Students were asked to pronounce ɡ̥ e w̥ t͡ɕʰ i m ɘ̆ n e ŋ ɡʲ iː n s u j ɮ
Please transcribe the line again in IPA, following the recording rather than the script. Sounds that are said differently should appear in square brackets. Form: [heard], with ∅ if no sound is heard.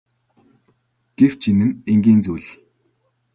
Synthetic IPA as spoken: ɡ̥ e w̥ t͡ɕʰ i [n] ɘ̆ n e ŋ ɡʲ iː n [t͡s] u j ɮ